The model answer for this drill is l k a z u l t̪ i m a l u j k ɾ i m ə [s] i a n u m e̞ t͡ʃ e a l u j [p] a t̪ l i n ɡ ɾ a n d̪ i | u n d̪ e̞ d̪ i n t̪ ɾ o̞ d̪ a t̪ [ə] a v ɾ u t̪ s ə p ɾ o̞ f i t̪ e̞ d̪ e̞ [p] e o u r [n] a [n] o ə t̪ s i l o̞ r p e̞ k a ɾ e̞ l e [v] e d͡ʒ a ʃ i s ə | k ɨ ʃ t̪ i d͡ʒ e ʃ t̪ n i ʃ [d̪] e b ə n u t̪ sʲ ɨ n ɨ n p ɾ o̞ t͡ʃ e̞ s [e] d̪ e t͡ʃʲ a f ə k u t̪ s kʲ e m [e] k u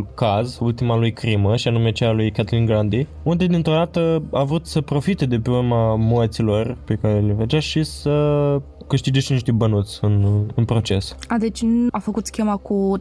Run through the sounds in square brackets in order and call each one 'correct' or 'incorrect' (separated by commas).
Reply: incorrect, incorrect, correct, correct, incorrect, incorrect, correct, incorrect, incorrect, incorrect